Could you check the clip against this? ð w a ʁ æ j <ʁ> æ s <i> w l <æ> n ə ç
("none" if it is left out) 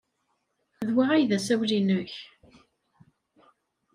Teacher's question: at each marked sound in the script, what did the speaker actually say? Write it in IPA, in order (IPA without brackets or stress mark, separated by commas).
ð, æ, i